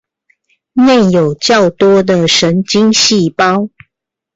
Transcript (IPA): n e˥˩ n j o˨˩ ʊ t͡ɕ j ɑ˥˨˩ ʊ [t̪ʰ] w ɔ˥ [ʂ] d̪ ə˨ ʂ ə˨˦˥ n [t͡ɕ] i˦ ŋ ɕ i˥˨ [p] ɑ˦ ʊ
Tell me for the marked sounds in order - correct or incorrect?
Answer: incorrect: t̪, incorrect: none, correct, correct

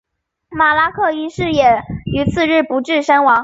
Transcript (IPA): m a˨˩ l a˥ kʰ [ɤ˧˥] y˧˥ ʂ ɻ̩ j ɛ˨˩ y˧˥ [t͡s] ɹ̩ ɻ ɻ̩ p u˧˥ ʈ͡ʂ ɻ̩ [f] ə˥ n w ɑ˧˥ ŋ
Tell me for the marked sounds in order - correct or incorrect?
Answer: incorrect: ɤ˥˩, incorrect: t͡sʰ, incorrect: ʂ

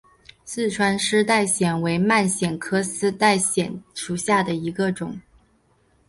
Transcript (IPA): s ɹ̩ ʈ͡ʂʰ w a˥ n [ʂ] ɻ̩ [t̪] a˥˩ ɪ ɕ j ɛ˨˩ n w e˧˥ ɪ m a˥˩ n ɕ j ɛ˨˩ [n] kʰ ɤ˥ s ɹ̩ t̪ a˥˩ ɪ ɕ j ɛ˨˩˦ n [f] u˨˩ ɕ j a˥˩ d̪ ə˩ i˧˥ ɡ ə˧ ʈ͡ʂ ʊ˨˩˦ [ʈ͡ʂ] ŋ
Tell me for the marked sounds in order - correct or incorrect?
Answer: correct, correct, correct, incorrect: ʂ, incorrect: none

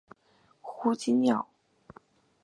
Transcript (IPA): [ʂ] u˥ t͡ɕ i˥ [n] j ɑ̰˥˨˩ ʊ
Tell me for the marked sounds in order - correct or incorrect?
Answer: incorrect: x, correct

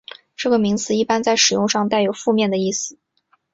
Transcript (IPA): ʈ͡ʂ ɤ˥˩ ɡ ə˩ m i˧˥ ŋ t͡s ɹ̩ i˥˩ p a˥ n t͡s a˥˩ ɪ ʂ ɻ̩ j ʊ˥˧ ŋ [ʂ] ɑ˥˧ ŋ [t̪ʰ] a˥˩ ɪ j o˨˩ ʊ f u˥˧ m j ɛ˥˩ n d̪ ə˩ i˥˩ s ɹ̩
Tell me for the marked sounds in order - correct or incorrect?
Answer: correct, incorrect: t̪

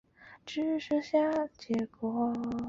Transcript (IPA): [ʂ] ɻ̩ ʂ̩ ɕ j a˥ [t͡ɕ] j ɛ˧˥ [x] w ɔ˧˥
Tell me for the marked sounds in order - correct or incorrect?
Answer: incorrect: ʈ͡ʂ, correct, incorrect: k

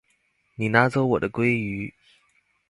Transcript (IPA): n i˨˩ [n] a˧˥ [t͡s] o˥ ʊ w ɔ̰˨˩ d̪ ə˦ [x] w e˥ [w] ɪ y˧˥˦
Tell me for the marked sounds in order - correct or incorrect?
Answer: correct, correct, incorrect: k, incorrect: none

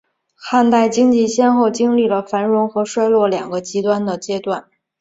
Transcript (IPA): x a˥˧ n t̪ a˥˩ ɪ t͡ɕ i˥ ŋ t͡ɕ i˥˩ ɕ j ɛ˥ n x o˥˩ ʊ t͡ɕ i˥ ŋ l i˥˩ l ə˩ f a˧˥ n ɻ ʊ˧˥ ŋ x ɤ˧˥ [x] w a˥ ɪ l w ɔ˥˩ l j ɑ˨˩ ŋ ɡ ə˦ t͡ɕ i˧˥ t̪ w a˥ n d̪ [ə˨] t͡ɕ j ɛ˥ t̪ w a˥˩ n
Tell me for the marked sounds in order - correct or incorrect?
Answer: incorrect: ʂ, correct

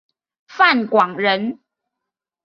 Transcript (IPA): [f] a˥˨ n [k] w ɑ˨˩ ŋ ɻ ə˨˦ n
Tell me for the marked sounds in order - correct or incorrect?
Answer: correct, correct

